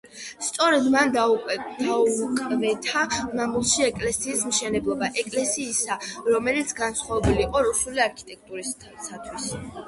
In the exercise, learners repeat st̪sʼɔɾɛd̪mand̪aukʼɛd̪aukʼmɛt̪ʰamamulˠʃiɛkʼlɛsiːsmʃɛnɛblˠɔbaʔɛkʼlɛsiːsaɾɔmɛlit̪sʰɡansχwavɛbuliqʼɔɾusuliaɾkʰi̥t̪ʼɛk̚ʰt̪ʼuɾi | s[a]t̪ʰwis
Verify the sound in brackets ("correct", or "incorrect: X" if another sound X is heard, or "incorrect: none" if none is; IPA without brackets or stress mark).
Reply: correct